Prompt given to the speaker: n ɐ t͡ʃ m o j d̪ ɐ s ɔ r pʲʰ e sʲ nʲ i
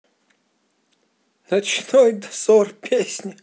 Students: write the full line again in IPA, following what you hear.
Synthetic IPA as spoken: n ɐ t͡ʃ n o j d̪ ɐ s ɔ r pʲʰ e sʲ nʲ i